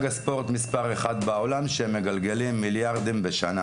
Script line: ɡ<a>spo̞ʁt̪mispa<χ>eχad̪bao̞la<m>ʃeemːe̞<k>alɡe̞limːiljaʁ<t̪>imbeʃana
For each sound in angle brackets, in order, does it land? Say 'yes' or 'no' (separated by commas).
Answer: yes, no, yes, no, no